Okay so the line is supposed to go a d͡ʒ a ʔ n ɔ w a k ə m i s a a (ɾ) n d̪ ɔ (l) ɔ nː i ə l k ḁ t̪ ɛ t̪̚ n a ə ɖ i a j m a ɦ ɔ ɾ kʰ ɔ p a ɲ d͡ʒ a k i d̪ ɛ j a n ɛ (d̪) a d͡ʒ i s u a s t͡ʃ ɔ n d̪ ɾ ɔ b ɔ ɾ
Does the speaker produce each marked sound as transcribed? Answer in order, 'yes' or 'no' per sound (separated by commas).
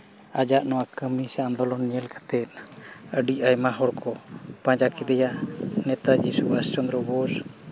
no, yes, no